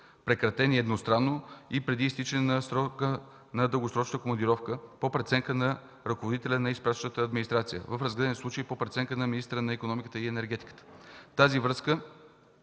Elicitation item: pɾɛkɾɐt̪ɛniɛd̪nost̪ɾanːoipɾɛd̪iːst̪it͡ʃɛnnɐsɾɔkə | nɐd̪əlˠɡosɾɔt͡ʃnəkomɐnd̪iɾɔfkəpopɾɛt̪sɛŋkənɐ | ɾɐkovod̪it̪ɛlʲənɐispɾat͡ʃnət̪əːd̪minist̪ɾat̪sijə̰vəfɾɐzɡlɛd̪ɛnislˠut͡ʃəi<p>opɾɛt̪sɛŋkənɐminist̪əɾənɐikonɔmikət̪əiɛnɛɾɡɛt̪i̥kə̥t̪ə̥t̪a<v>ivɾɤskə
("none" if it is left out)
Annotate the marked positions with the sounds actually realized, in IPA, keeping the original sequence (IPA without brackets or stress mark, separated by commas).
p, z